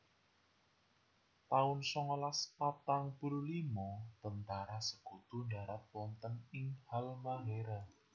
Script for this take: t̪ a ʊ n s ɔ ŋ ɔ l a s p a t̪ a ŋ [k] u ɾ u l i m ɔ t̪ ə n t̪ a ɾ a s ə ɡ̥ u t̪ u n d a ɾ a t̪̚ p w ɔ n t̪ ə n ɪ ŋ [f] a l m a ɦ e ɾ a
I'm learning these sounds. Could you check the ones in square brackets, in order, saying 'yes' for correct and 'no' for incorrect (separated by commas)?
no, no